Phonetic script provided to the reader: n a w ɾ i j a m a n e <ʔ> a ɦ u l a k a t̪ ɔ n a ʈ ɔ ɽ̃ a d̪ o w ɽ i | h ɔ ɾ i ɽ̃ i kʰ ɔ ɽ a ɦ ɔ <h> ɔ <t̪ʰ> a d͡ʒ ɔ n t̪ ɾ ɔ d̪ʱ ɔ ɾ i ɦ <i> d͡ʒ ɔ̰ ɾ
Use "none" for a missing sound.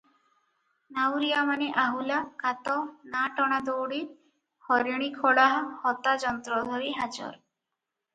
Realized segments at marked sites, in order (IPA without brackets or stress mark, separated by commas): ʔ, h, t̪, a